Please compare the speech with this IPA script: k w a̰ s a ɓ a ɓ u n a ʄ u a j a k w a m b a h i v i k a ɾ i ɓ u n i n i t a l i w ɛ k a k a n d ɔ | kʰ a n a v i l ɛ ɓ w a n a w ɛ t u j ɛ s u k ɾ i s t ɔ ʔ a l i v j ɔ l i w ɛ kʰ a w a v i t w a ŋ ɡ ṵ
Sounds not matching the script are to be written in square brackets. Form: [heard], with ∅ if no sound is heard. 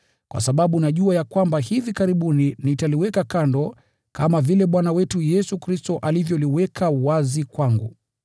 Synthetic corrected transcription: k w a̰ s a ɓ a ɓ u n a ʄ u a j a k w a m b a h i v i k a ɾ i ɓ u n i n i t a l i w ɛ k a k a n d ɔ | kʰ a [m] a v i l ɛ ɓ w a n a w ɛ t u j ɛ s u k ɾ i s t ɔ ʔ a l i v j ɔ l i w ɛ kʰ a w a [z] i [k] w a ŋ ɡ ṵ